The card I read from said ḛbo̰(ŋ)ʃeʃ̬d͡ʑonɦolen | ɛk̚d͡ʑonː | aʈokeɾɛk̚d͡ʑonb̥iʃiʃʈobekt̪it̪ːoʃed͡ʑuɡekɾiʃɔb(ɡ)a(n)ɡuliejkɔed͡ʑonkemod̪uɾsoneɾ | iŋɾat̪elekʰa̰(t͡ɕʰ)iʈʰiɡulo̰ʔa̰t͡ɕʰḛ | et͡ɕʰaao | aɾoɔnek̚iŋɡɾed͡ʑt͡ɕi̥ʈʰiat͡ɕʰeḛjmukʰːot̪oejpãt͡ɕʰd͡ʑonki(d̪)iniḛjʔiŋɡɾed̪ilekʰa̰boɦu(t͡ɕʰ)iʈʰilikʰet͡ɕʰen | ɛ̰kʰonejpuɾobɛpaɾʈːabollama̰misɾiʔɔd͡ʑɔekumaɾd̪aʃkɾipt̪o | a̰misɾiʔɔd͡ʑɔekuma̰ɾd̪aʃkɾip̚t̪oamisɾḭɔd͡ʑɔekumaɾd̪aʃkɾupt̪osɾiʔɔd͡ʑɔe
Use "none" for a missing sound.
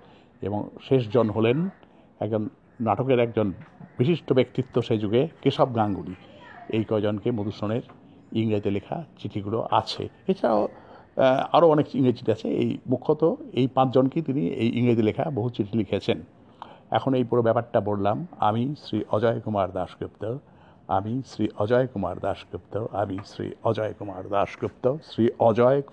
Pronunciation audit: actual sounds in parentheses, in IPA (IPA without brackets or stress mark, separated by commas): ŋ, ɡ, ŋ, t͡ɕ, t̪, t͡ɕ